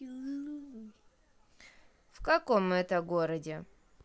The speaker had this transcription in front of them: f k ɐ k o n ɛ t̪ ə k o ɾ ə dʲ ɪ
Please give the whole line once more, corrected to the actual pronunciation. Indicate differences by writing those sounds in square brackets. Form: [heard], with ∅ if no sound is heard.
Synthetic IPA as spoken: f k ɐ k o [m] ɛ t̪ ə [ɡ] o ɾ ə dʲ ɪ